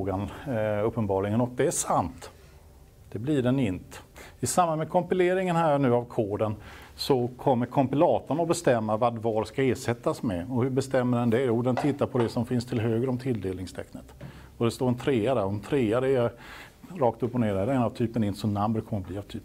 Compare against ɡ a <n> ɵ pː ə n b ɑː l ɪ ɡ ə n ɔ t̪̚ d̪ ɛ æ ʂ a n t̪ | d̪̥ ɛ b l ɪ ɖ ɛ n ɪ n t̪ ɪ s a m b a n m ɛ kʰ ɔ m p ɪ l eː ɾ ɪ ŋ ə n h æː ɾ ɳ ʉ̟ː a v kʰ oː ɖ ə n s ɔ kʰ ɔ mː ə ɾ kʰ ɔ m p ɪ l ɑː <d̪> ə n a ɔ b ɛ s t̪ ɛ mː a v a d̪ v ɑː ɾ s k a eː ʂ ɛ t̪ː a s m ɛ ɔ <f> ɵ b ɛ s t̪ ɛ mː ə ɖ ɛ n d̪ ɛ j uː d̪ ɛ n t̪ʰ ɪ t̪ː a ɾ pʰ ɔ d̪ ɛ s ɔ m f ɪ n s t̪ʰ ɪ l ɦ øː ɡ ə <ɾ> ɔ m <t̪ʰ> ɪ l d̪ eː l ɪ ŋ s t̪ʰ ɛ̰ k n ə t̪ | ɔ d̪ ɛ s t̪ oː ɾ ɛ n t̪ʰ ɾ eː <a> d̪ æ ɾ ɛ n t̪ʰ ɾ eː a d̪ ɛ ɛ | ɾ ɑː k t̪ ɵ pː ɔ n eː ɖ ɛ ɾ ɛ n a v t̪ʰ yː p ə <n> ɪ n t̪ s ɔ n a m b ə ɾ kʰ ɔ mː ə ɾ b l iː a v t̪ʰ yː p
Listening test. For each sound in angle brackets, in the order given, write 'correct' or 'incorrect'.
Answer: correct, incorrect, incorrect, correct, correct, correct, correct

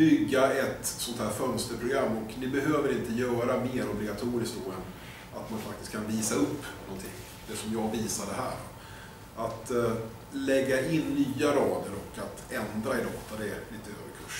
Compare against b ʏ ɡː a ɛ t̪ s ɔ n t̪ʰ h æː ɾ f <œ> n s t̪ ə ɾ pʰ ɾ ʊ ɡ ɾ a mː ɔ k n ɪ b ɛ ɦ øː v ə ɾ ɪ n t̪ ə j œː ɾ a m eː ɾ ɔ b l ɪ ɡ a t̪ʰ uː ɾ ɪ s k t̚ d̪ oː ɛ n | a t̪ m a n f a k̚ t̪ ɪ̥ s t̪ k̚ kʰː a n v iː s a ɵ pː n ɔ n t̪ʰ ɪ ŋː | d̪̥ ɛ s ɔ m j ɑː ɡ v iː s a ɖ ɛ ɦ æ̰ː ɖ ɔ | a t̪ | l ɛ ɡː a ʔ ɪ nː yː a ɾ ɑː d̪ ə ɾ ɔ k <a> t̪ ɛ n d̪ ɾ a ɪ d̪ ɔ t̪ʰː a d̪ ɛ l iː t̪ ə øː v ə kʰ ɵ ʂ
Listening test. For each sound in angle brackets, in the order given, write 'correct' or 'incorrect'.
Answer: correct, correct

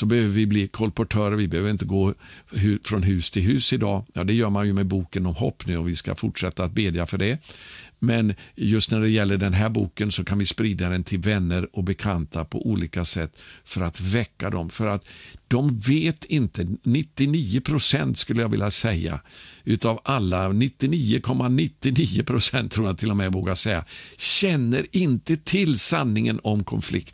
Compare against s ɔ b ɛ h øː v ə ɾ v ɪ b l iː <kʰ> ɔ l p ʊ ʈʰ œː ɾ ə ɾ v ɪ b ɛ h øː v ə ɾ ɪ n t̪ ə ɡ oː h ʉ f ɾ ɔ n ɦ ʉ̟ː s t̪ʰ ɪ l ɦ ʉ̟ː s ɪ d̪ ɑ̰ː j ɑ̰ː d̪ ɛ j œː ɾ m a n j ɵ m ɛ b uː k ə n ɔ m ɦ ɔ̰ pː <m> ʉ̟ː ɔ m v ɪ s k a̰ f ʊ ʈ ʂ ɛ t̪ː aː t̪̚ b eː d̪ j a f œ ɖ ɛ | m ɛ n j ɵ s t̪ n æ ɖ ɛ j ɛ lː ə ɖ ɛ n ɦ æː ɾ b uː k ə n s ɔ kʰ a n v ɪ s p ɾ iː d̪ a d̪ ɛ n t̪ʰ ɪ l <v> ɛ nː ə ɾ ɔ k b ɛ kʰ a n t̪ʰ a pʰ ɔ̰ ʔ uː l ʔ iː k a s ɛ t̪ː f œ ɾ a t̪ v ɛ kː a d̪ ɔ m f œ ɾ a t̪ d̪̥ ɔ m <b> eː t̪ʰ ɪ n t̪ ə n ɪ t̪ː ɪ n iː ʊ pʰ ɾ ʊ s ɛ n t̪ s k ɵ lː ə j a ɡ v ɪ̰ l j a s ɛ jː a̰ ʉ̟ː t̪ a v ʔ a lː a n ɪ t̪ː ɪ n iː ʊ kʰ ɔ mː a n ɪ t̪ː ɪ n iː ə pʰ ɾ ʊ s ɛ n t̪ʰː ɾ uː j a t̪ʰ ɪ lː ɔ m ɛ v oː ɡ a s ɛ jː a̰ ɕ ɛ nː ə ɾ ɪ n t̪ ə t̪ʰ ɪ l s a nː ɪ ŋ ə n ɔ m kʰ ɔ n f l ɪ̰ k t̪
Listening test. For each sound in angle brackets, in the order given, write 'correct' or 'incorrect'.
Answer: correct, incorrect, correct, incorrect

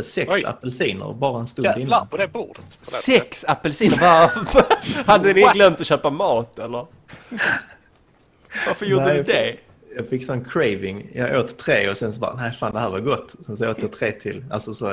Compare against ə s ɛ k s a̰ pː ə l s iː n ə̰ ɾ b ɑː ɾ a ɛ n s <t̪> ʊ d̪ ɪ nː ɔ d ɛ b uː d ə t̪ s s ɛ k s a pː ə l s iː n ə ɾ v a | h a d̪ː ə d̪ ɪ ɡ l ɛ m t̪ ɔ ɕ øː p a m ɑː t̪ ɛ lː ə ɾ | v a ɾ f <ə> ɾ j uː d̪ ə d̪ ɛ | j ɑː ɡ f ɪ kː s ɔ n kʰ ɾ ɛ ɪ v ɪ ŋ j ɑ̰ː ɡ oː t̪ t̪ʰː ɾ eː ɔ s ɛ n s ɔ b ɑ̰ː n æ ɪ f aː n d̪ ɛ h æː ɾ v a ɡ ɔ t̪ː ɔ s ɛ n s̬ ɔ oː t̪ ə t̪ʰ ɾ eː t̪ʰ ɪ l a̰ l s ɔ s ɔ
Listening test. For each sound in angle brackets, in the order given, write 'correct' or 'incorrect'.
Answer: correct, correct

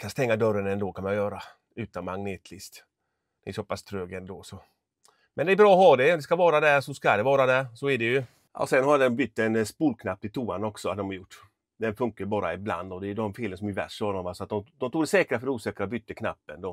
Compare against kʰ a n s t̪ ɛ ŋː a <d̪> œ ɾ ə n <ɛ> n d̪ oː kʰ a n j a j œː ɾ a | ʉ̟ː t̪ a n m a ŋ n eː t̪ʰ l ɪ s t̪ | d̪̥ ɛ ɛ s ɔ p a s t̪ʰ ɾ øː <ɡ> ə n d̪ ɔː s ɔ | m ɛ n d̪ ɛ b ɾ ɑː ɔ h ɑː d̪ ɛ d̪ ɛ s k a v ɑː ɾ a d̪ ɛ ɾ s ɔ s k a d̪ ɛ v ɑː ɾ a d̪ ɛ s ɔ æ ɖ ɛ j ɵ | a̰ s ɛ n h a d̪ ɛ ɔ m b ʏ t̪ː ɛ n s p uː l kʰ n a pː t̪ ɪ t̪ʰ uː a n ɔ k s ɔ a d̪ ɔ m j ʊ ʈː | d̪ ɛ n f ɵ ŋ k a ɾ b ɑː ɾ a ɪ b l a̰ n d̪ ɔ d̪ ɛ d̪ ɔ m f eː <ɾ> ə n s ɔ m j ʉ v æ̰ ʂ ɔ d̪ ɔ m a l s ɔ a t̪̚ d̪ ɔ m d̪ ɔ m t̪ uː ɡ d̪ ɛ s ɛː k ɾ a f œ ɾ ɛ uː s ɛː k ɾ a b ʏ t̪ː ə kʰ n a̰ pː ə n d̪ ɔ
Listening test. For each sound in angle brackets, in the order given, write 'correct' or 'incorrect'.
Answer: correct, correct, correct, incorrect

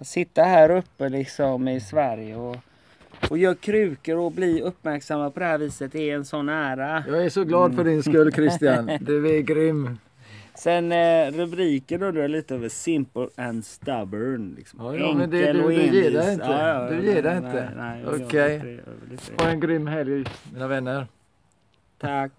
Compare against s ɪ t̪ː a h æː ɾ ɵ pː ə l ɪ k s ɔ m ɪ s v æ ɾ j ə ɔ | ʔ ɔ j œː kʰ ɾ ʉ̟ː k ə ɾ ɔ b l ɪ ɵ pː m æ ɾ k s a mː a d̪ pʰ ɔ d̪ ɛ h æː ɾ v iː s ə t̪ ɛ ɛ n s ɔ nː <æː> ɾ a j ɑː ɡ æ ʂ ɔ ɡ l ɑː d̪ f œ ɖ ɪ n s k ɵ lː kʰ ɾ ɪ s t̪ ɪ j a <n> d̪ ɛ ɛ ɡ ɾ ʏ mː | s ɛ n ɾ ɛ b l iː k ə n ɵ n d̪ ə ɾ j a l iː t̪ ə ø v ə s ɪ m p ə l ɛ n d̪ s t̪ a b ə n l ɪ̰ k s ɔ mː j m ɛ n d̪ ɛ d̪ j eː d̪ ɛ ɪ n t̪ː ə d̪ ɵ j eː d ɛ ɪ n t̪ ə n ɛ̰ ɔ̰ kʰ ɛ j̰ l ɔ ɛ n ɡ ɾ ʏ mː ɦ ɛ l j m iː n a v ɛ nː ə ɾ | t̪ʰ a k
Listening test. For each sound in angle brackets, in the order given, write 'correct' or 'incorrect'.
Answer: correct, correct

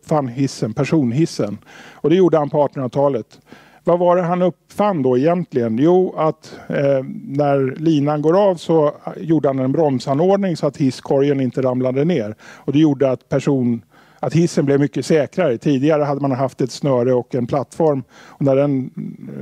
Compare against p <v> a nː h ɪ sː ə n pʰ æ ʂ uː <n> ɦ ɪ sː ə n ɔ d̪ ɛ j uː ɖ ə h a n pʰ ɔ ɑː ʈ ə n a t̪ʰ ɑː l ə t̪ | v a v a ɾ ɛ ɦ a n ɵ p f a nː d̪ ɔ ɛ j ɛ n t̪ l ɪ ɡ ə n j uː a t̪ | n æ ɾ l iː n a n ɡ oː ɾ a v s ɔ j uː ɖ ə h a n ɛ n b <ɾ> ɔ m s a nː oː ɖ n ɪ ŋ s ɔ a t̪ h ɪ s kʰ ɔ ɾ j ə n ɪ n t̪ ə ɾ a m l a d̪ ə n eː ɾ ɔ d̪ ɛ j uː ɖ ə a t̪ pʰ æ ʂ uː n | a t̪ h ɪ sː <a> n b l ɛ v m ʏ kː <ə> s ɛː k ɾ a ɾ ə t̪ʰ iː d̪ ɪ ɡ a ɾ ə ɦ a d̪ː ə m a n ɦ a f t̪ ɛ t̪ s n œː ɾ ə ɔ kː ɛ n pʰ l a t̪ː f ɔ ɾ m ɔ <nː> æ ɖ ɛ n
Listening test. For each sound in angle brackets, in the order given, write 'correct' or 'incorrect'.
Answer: incorrect, correct, correct, incorrect, correct, incorrect

